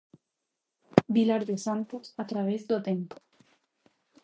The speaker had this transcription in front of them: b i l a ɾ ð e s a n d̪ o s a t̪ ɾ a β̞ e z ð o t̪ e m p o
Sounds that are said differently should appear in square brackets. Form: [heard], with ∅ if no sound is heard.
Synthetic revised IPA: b i l a ɾ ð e s a n [t̪] o s a t̪ ɾ a β̞ e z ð o t̪ e m p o